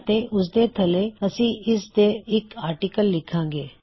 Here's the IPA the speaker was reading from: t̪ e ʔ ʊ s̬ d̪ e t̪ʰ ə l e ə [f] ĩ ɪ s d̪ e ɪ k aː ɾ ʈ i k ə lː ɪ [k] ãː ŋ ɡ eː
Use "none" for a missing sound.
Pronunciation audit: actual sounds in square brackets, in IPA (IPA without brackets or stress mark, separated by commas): s, kʰ